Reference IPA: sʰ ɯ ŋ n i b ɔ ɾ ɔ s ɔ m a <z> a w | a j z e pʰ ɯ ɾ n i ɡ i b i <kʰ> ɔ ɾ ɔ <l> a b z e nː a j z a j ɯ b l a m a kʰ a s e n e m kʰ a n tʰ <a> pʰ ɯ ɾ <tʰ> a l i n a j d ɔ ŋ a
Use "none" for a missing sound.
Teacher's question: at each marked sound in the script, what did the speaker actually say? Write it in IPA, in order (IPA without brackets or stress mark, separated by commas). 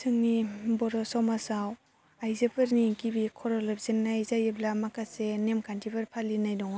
s, kʰ, l, i, pʰ